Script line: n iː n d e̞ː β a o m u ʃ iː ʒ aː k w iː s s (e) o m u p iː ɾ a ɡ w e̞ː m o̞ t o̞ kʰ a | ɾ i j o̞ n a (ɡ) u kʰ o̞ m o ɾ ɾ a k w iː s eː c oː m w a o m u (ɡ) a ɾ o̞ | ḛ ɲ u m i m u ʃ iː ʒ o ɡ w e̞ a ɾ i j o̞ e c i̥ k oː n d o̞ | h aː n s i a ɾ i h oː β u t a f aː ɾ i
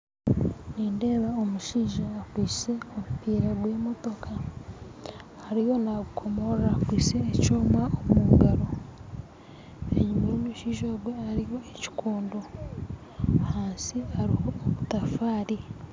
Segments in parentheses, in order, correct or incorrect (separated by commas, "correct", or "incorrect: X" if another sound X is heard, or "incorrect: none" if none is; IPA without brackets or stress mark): correct, correct, correct